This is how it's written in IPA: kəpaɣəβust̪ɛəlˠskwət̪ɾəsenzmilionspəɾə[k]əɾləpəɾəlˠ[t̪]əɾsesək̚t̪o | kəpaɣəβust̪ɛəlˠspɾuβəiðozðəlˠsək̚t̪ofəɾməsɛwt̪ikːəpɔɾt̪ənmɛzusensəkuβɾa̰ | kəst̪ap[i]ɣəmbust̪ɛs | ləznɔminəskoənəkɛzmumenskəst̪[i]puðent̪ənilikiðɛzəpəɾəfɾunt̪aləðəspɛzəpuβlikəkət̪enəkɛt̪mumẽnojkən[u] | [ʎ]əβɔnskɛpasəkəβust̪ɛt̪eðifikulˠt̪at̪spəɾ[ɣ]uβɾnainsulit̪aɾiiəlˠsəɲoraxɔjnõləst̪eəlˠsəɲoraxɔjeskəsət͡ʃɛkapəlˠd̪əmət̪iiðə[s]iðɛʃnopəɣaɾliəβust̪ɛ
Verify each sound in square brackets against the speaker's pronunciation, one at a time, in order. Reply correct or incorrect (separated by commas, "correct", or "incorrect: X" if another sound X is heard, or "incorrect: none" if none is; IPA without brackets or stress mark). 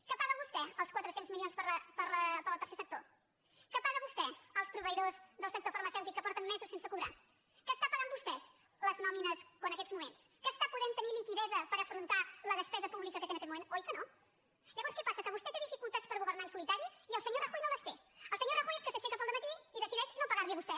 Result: incorrect: p, correct, incorrect: a, incorrect: a, incorrect: o, correct, correct, correct